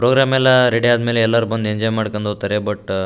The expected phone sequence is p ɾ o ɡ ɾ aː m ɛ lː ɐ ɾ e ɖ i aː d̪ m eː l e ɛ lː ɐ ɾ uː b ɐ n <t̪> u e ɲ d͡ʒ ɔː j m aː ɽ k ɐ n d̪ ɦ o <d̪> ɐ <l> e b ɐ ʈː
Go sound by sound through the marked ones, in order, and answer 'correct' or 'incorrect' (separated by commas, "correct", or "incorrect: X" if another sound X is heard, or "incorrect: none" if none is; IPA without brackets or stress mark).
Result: incorrect: d̪, incorrect: t̪, incorrect: ɾ